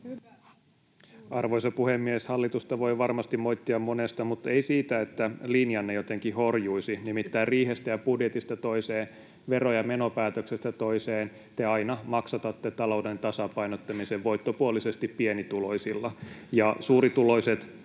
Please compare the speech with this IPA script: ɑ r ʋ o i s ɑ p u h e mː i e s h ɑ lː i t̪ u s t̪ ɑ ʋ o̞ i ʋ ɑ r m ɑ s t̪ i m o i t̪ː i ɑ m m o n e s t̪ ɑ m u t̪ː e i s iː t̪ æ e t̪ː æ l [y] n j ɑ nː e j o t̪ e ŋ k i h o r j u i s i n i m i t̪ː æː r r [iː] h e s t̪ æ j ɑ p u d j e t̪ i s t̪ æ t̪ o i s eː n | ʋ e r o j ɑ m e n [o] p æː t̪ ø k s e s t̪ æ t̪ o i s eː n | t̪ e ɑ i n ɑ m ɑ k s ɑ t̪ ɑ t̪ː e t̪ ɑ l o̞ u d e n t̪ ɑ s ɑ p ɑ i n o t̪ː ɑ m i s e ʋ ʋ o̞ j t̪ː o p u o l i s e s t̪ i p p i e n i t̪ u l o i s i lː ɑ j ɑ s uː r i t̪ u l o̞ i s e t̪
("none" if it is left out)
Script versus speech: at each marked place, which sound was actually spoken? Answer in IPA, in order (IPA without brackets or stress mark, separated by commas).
i, iː, o